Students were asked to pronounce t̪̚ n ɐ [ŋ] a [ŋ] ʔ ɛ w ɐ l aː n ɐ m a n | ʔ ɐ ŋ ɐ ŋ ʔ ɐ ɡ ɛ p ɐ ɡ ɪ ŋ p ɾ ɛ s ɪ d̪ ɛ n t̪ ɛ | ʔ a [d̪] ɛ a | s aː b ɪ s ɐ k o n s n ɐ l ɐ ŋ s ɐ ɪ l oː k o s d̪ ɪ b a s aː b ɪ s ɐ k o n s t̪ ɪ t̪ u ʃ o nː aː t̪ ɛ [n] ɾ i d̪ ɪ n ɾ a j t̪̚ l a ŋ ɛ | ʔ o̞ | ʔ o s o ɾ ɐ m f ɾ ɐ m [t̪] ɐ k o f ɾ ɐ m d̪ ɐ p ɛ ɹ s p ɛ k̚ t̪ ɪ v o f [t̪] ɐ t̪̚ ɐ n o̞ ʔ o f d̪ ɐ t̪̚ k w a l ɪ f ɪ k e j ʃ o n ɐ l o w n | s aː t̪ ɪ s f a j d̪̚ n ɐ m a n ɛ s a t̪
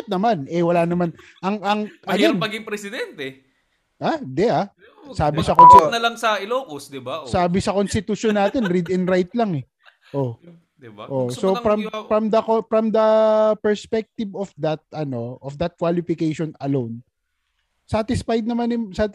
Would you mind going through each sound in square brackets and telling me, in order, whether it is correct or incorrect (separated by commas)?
incorrect, incorrect, correct, correct, incorrect, incorrect